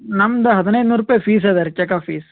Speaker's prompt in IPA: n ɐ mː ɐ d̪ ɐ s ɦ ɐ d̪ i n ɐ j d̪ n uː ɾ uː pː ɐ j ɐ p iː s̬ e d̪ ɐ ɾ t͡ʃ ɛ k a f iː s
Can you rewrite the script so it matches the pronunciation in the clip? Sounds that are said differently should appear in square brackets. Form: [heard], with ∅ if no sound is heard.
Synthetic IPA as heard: n ɐ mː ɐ d̪ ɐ [∅] ɦ ɐ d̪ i n ɐ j d̪ n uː ɾ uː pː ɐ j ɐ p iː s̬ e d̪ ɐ ɾ t͡ʃ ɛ k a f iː s